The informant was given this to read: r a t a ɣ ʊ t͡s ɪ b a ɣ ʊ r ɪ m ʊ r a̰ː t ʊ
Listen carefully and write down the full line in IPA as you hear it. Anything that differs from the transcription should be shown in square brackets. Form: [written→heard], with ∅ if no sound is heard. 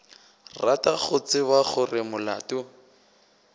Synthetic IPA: r a t a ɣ ʊ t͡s ɪ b a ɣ ʊ r ɪ m ʊ [r→l] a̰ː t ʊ